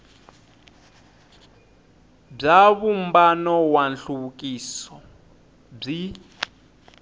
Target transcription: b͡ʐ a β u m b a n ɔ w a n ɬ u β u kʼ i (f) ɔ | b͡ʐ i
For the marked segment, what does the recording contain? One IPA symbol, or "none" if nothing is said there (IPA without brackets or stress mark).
s